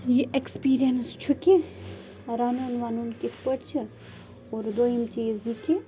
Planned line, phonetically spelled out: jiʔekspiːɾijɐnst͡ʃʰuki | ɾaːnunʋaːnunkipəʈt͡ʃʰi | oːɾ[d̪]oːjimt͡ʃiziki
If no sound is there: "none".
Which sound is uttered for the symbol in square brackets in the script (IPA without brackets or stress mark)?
d̪